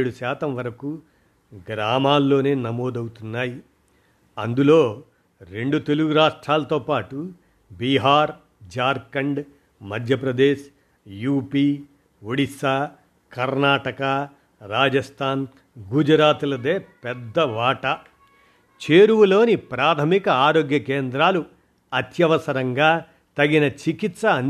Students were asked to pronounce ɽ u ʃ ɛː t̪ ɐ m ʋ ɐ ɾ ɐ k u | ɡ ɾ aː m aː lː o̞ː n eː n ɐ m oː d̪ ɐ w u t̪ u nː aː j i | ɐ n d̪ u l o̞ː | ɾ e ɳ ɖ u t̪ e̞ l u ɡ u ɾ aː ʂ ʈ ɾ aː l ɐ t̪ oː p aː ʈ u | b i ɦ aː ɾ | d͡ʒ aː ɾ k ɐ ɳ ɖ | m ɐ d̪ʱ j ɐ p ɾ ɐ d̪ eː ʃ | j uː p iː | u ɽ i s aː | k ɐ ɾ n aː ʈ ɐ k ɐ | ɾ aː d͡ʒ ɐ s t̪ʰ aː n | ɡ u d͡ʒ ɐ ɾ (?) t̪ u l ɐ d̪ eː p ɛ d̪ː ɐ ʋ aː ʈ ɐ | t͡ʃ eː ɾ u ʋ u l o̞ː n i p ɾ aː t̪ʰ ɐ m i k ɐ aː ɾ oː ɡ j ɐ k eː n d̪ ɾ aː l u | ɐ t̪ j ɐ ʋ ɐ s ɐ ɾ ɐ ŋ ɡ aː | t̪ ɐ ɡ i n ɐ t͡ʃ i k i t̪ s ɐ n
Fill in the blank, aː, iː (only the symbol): aː